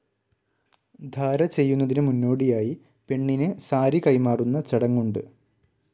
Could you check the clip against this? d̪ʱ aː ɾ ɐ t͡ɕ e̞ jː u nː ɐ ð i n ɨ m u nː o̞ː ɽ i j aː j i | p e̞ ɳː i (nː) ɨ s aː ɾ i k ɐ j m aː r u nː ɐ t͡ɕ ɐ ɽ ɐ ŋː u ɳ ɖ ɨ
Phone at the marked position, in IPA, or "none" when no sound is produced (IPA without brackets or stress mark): n